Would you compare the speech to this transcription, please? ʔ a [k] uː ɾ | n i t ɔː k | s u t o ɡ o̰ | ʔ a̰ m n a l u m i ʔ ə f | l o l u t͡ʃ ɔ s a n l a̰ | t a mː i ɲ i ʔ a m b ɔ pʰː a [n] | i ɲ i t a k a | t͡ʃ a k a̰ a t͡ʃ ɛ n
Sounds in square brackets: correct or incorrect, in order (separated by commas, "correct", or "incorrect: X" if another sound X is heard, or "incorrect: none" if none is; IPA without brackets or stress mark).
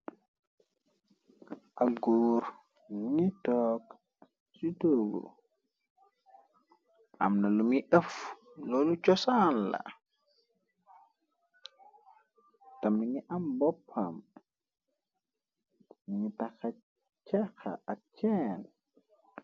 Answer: incorrect: ɡ, incorrect: m